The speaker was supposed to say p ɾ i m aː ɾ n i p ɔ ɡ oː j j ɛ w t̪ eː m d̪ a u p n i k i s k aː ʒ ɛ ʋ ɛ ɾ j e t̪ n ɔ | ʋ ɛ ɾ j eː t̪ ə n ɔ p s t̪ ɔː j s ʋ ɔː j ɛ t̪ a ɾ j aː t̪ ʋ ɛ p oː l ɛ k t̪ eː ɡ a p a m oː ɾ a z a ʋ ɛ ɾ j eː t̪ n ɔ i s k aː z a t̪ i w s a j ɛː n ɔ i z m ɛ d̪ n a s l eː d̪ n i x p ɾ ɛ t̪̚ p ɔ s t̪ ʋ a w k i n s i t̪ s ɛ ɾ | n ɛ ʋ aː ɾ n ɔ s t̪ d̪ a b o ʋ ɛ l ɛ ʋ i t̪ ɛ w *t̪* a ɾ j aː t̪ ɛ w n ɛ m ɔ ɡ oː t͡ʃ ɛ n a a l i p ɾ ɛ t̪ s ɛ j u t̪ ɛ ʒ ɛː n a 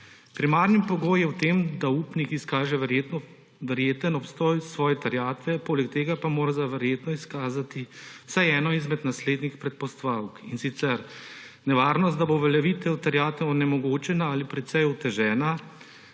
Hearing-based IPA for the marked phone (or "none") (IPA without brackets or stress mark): t̪